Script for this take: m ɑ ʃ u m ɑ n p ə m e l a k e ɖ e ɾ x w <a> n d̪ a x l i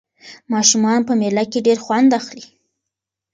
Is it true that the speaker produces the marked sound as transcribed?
yes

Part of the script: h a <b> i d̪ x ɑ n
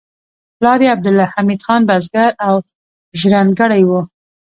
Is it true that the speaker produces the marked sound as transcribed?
no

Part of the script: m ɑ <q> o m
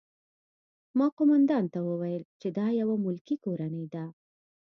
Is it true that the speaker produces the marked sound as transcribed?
yes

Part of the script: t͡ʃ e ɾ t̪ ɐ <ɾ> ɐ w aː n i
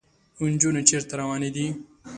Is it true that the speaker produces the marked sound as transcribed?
yes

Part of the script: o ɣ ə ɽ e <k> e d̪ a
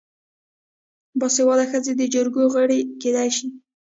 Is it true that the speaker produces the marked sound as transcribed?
yes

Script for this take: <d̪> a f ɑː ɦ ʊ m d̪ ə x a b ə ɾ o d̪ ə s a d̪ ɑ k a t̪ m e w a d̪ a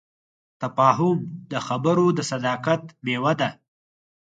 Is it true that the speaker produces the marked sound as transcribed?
no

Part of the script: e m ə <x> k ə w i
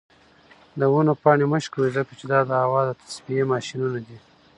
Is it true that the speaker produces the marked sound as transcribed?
no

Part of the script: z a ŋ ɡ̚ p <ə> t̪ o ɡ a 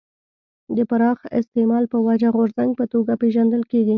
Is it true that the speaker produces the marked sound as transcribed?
yes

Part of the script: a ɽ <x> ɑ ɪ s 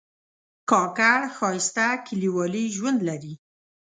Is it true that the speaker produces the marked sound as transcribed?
yes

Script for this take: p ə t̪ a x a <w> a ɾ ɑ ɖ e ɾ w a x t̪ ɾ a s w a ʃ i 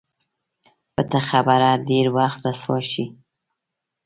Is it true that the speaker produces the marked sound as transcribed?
no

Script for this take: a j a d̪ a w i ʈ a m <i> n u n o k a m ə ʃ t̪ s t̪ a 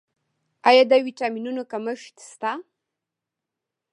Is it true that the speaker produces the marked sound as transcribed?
yes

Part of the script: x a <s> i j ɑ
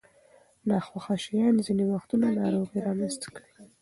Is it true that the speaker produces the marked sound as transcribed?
no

